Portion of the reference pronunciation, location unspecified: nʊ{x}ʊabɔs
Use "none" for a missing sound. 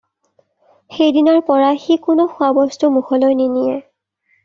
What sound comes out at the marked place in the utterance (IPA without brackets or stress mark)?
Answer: x